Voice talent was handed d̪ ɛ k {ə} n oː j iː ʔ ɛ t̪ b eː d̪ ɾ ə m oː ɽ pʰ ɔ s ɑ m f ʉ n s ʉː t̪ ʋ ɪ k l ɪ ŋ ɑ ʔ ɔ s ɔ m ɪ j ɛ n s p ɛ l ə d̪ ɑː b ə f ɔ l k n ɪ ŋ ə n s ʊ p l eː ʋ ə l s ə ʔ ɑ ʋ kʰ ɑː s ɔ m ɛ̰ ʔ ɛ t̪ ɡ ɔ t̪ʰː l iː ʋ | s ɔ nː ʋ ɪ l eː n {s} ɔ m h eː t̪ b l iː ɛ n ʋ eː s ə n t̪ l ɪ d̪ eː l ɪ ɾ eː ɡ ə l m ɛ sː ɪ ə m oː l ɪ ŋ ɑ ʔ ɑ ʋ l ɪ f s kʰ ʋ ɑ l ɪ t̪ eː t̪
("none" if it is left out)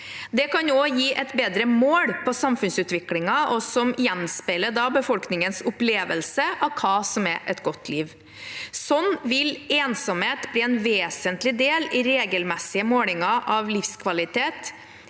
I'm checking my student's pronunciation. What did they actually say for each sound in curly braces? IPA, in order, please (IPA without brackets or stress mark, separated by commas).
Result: ɑ, s